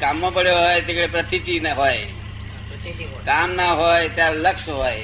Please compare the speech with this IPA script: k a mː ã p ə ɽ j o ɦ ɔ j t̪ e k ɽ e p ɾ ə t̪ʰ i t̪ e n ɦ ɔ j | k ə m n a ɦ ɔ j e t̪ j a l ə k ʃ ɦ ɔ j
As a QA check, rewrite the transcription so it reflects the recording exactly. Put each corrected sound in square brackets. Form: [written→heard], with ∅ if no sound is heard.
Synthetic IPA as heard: k a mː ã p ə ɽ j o ɦ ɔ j t̪ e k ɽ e p ɾ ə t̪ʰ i t̪ [e→i] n ɦ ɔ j | k [ə→a] m n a ɦ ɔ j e t̪ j a l ə k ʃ ɦ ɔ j